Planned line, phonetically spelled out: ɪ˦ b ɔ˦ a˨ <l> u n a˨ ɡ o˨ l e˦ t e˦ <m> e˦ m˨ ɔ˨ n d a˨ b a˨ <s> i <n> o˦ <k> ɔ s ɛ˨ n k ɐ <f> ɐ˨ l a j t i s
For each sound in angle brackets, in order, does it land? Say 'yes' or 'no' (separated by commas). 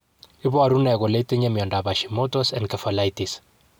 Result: no, no, no, no, no, yes